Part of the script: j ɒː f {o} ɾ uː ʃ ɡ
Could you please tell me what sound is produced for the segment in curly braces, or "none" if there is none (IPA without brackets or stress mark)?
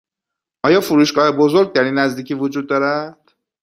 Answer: u